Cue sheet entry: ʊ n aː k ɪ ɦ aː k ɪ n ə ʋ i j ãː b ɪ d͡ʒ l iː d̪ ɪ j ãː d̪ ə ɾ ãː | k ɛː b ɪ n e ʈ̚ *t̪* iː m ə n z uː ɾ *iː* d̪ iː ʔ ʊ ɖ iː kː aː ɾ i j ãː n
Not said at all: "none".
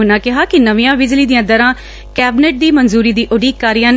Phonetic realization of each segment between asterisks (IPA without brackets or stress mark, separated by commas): d̪, iː